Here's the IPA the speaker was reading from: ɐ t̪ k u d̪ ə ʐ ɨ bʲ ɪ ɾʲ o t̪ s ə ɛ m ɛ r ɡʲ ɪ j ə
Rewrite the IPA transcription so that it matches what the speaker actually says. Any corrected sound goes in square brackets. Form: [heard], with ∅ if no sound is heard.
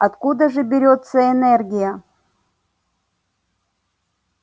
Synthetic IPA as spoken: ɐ t̪ k u d̪ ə ʐ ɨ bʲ ɪ ɾʲ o t̪ s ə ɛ [n] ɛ r ɡʲ ɪ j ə